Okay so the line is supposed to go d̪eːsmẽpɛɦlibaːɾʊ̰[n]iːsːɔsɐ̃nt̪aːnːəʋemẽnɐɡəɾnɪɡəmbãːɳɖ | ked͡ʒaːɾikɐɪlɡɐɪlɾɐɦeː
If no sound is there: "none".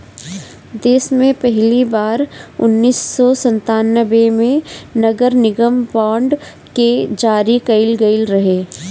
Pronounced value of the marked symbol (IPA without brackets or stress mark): nː